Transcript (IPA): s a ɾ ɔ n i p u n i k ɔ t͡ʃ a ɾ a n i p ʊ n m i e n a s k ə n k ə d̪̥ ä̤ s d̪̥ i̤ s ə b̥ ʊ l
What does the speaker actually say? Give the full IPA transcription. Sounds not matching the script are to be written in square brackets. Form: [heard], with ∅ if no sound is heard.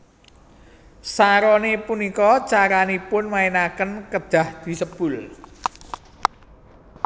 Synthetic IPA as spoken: s a ɾ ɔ n [e] p u n i k ɔ t͡ʃ a ɾ a n i p ʊ n m [a] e n a [∅] k ə n k ə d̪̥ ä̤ [h] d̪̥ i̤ s ə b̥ ʊ l

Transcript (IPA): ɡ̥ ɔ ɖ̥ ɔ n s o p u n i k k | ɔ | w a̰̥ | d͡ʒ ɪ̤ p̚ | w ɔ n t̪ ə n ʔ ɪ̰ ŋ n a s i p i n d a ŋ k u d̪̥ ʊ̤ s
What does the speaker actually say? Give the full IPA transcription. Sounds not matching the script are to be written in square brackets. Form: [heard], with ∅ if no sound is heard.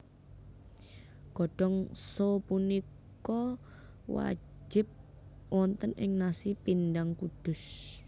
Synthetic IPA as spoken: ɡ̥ ɔ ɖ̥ ɔ [ŋ] s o p u n i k k | ɔ | w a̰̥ | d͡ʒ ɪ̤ p̚ | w ɔ n t̪ ə n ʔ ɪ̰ ŋ n a s i p i n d a ŋ k u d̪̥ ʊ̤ s

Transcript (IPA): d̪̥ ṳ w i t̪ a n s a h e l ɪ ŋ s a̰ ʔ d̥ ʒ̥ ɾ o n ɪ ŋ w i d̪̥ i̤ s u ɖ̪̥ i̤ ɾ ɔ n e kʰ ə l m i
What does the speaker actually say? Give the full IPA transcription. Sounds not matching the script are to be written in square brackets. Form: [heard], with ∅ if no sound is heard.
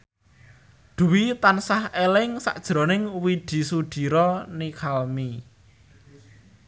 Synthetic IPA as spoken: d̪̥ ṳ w i t̪ a n s a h e l ɪ ŋ s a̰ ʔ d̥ ʒ̥ ɾ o n ɪ ŋ w i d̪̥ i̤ s u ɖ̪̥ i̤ ɾ ɔ n [i] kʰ [a] l m i

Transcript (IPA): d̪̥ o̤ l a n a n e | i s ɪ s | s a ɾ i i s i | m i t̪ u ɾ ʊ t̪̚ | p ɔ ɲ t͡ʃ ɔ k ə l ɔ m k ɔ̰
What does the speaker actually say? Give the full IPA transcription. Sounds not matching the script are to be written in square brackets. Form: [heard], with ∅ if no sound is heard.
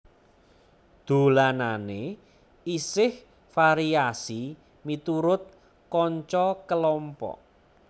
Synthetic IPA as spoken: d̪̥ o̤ l a n a n e | i s ɪ [h] | [f] a ɾ i [a] s i | m i t̪ u ɾ ʊ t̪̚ | [k] ɔ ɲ t͡ʃ ɔ k ə l ɔ m [p] ɔ̰

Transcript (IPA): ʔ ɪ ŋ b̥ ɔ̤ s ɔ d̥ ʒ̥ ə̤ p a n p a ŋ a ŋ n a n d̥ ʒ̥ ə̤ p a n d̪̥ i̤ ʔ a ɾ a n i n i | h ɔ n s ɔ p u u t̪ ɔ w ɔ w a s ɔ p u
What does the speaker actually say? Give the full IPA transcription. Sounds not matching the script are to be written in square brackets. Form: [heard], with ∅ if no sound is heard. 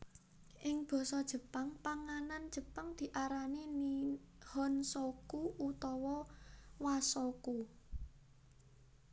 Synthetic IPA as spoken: ʔ ɪ ŋ b̥ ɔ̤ s ɔ d̥ ʒ̥ ə̤ p a [ŋ] p a ŋ a [∅] n a n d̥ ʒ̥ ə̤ p a [ŋ] d̪̥ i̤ ʔ a ɾ a n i n i | h ɔ n s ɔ [k] u u t̪ ɔ w ɔ w a s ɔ [k] u

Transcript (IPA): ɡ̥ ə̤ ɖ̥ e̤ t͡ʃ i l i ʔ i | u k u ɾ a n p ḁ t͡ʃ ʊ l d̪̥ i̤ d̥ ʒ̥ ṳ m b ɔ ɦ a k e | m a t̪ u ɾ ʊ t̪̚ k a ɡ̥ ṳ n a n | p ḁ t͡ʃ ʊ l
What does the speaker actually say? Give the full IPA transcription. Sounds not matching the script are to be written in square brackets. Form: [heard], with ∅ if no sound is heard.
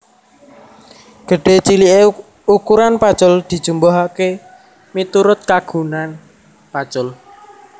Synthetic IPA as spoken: ɡ̥ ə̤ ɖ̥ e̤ t͡ʃ i l i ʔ [e] | u k u ɾ a n p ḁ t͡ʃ ʊ l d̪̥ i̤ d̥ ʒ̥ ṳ m b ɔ ɦ a k e | m [i] t̪ u ɾ ʊ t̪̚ k a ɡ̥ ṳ n a n | p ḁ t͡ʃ ʊ l

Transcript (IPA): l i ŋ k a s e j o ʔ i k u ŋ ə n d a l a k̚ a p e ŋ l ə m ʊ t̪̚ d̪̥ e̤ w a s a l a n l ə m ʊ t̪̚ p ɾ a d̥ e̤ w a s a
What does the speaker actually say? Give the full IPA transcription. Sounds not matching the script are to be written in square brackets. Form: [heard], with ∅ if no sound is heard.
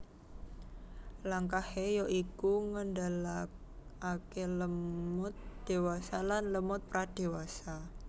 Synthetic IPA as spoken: l [a] ŋ k a [h] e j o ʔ i k u ŋ ə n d a l a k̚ a [k] e [∅] l ə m ʊ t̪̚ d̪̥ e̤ w a s a l a n l ə m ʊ t̪̚ p ɾ a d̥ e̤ w a s a

